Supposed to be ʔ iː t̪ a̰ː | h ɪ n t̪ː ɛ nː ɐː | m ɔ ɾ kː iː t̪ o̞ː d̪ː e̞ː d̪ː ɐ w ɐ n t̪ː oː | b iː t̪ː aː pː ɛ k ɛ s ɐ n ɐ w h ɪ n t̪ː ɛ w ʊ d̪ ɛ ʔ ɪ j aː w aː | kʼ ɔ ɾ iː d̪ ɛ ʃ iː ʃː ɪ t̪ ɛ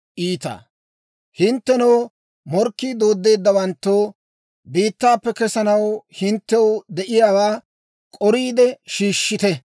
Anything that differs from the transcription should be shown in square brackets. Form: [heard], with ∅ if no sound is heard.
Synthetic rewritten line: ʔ iː t̪ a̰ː | h ɪ n t̪ː ɛ [n] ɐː | m ɔ ɾ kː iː [d̪] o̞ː d̪ː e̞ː d̪ː ɐ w ɐ n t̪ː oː | b iː t̪ː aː pː ɛ k ɛ s ɐ n ɐ w h ɪ n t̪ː ɛ w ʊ d̪ ɛ ʔ ɪ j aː w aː | kʼ ɔ ɾ iː d̪ ɛ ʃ iː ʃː ɪ t̪ ɛ

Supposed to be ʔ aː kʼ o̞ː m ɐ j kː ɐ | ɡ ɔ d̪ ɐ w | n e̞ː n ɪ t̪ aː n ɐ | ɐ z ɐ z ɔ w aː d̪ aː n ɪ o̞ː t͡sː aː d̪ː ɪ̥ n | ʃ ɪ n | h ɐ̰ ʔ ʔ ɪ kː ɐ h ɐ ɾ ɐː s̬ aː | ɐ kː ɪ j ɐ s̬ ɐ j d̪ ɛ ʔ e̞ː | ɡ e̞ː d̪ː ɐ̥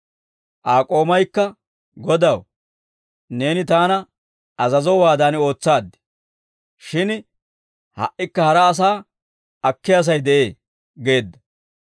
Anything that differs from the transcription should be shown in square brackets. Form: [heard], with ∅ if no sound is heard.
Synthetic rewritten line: ʔ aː kʼ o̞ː m ɐ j kː ɐ | ɡ ɔ d̪ ɐ w | n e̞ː n ɪ t̪ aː n ɐ | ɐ z ɐ z ɔ w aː d̪ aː n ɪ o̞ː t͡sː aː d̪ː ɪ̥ [∅] | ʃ ɪ n | h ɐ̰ ʔ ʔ ɪ kː ɐ h ɐ ɾ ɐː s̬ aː | ɐ kː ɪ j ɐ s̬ ɐ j d̪ ɛ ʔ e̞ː | ɡ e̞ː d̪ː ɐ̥

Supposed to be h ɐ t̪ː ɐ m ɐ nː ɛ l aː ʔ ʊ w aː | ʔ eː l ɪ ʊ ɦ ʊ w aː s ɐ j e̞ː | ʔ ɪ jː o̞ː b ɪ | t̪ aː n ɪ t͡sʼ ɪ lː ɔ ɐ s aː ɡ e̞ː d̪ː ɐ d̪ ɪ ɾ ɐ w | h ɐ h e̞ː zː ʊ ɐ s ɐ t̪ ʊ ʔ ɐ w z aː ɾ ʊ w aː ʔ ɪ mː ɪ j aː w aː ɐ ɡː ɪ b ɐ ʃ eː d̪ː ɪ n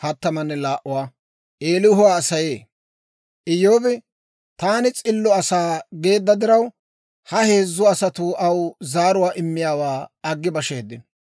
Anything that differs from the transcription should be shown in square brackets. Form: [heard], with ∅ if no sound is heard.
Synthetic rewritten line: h ɐ t̪ː ɐ m ɐ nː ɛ l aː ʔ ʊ w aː | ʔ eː l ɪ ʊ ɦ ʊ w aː s ɐ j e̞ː | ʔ ɪ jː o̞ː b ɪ | t̪ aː n ɪ t͡sʼ ɪ lː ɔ ɐ s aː ɡ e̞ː d̪ː ɐ d̪ ɪ ɾ ɐ w | h ɐ h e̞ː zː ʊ ɐ s ɐ t̪ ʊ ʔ ɐ w z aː ɾ ʊ w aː ʔ ɪ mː ɪ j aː w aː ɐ ɡː ɪ b ɐ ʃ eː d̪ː ɪ n

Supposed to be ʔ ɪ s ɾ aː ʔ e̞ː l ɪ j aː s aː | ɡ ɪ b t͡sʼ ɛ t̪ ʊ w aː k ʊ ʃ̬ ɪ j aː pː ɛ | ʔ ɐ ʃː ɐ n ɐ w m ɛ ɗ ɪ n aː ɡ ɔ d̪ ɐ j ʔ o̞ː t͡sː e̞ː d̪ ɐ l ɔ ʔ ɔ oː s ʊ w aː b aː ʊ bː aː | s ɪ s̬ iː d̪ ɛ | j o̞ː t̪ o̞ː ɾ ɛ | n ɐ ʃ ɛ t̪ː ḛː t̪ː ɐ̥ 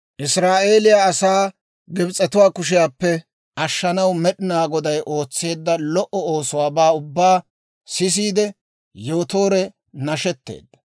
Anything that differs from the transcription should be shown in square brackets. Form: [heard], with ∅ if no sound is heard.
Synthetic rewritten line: ʔ ɪ s ɾ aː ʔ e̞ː l ɪ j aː s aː | ɡ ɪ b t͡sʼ ɛ t̪ ʊ w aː k ʊ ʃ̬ ɪ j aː pː ɛ | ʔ ɐ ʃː ɐ n ɐ w m ɛ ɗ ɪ n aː ɡ ɔ d̪ ɐ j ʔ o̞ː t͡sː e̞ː [d̪ː] ɐ l ɔ ʔ ɔ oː s ʊ w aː b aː ʊ bː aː | s ɪ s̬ iː d̪ ɛ | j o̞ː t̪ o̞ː ɾ ɛ | n ɐ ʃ ɛ t̪ː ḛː [d̪ː] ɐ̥

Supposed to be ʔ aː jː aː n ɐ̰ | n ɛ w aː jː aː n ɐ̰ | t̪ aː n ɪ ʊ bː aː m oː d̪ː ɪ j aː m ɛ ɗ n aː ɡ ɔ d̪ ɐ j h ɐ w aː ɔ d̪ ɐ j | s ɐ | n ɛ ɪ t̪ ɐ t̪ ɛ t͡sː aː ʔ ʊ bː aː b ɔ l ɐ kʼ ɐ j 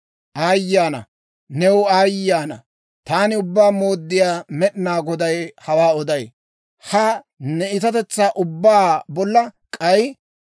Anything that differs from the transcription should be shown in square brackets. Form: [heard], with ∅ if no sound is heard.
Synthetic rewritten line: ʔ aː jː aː n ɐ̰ | n ɛ w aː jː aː n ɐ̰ | t̪ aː n ɪ ʊ bː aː m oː d̪ː ɪ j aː m ɛ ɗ n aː ɡ ɔ d̪ ɐ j h ɐ w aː ɔ d̪ ɐ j | [h] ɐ | n ɛ ɪ t̪ ɐ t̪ ɛ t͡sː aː ʔ ʊ bː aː b ɔ [lː] ɐ kʼ ɐ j

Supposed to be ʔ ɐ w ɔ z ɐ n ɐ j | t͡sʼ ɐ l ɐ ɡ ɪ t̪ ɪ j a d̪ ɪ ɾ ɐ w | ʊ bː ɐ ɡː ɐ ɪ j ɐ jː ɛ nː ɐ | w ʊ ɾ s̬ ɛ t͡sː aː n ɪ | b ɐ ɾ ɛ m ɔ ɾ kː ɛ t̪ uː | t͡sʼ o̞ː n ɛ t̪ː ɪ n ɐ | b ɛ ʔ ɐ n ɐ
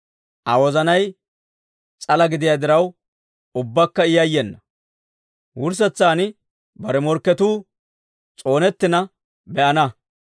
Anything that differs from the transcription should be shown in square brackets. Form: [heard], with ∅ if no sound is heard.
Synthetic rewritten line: ʔ ɐ w ɔ z ɐ n ɐ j | t͡sʼ ɐ l ɐ ɡ ɪ [d̪] ɪ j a d̪ ɪ ɾ ɐ w | ʊ bː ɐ [kː] ɐ ɪ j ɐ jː ɛ nː ɐ | w ʊ ɾ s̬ ɛ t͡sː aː n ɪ | b ɐ ɾ ɛ m ɔ ɾ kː ɛ t̪ uː | t͡sʼ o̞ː n ɛ t̪ː ɪ n ɐ | b ɛ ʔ ɐ n ɐ

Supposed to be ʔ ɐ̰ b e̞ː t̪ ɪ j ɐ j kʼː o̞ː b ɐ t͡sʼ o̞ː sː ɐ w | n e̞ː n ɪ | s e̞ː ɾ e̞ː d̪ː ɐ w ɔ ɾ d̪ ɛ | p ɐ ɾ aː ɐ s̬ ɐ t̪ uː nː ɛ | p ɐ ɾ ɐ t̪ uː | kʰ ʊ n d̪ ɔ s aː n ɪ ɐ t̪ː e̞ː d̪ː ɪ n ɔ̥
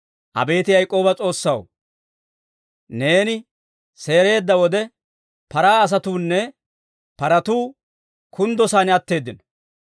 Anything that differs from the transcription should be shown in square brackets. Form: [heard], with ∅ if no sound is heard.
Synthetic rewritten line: ʔ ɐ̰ b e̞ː t̪ ɪ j ɐ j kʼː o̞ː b ɐ t͡sʼ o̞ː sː ɐ w | n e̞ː n ɪ | s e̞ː ɾ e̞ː d̪ː ɐ w ɔ [∅] d̪ ɛ | p ɐ ɾ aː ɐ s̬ ɐ t̪ uː nː ɛ | p ɐ ɾ ɐ t̪ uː | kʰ ʊ n d̪ ɔ s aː n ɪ ɐ t̪ː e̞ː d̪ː ɪ n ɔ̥

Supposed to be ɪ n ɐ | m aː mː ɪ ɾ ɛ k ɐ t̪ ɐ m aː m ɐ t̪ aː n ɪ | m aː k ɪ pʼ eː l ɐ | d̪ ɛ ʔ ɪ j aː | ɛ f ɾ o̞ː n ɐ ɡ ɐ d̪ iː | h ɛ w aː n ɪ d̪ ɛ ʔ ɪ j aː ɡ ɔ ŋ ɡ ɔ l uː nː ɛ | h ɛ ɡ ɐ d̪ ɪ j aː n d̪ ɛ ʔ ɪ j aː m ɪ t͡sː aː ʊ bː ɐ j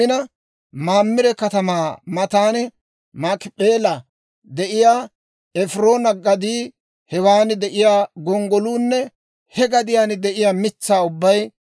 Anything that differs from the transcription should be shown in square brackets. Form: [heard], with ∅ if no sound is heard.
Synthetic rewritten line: ɪ n ɐ | m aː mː ɪ ɾ ɛ k ɐ t̪ ɐ m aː m ɐ t̪ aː n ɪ | m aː k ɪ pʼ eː l ɐ | d̪ ɛ ʔ ɪ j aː | ɛ f ɾ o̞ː n ɐ ɡ ɐ d̪ iː | h ɛ w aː n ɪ d̪ ɛ ʔ ɪ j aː ɡ ɔ ŋ ɡ ɔ l uː nː ɛ | h ɛ ɡ ɐ d̪ ɪ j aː n d̪ ɛ ʔ ɪ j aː m ɪ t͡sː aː ʊ bː ɐ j

